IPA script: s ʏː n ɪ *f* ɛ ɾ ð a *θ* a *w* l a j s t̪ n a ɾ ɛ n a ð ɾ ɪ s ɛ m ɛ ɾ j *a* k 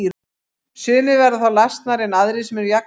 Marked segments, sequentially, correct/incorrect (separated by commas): incorrect, correct, correct, correct